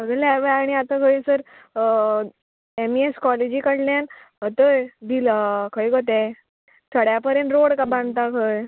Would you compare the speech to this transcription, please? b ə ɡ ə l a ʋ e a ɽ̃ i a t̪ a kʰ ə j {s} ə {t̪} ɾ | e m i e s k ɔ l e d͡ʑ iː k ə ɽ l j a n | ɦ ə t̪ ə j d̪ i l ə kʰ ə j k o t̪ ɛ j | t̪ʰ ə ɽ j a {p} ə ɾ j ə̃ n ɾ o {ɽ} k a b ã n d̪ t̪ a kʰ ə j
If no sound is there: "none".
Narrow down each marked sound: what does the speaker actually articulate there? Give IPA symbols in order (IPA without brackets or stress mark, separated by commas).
s, none, p, ɽ